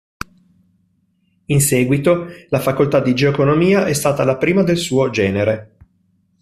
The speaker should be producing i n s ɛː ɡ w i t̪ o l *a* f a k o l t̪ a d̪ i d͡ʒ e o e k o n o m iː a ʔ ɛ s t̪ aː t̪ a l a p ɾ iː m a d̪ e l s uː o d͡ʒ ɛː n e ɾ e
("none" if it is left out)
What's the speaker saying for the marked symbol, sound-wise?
a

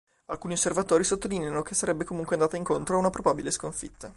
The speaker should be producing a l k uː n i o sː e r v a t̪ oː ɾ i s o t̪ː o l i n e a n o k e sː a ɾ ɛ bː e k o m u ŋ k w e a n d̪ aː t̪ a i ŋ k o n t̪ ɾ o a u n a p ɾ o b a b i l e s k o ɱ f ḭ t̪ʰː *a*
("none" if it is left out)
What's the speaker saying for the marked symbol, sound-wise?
a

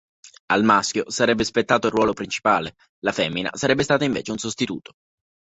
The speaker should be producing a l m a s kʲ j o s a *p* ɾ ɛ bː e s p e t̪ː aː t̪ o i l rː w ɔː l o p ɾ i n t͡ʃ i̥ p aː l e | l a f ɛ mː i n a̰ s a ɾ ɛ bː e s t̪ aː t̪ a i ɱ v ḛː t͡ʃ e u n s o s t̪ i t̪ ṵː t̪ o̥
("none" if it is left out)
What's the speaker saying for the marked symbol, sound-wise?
none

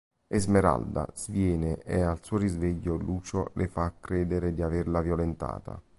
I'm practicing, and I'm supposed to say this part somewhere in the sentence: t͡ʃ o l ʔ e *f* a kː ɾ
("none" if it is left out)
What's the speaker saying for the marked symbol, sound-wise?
f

